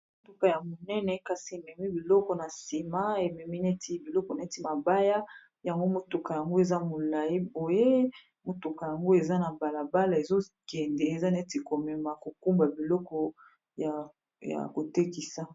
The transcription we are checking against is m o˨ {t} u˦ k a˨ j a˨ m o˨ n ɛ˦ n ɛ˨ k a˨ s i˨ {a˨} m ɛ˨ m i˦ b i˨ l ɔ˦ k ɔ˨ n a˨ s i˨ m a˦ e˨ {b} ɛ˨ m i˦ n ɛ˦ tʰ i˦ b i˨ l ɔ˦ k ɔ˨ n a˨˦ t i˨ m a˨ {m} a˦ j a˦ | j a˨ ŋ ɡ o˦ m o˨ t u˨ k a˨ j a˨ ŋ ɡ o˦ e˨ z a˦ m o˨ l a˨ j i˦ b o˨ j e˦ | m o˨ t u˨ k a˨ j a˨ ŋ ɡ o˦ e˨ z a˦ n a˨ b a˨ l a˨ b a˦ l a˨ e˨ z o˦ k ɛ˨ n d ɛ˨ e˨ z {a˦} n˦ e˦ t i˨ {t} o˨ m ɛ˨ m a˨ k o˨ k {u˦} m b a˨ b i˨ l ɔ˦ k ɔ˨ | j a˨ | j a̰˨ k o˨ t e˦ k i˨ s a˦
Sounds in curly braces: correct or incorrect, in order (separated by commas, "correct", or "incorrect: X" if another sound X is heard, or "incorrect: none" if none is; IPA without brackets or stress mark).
correct, incorrect: e˨, incorrect: m, incorrect: b, correct, incorrect: k, correct